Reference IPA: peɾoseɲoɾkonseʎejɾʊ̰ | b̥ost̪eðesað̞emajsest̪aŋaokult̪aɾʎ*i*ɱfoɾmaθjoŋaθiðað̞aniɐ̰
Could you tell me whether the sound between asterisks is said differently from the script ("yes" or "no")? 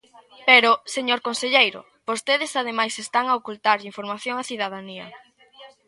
no